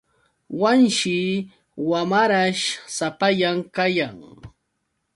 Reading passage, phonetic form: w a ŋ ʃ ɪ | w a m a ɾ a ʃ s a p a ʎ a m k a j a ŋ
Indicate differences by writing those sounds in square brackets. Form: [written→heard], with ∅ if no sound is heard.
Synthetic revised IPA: w a [ŋ→n] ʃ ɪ | w a m a ɾ a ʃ s a p a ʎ a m k a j a ŋ